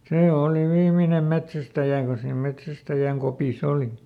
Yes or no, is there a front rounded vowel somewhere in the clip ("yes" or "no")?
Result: no